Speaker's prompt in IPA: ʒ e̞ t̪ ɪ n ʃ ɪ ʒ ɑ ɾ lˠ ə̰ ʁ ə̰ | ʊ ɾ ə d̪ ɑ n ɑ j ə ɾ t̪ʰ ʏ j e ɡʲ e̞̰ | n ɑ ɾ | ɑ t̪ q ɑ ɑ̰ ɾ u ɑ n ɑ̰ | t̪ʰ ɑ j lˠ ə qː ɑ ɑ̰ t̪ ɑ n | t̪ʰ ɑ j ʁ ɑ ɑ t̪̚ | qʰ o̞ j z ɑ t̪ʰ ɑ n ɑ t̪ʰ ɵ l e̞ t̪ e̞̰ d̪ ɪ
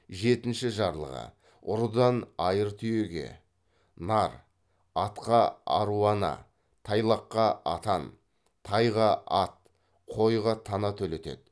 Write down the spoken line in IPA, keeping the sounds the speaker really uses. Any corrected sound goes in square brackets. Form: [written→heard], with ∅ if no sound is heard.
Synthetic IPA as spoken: ʒ e̞ t̪ ɪ n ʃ ɪ ʒ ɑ ɾ lˠ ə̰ ʁ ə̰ | ʊ ɾ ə d̪ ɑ n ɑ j ə ɾ t̪ʰ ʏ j e ɡʲ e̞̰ | n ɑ ɾ | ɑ t̪ q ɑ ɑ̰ ɾ u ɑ n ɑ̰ | t̪ʰ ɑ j lˠ [ə→ɑ] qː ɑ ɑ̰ t̪ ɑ n | t̪ʰ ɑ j ʁ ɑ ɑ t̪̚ | qʰ o̞ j [z→ʁ] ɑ t̪ʰ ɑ n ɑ t̪ʰ ɵ l e̞ t̪ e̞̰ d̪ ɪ